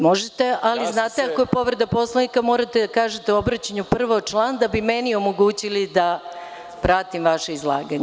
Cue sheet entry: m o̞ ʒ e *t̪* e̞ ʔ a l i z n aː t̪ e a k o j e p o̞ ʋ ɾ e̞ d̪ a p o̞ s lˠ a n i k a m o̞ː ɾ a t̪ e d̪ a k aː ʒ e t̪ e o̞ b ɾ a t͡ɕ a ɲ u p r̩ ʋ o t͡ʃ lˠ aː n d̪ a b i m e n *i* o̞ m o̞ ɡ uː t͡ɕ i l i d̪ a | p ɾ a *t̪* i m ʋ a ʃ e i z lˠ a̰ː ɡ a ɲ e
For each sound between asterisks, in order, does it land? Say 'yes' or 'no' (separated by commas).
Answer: yes, yes, yes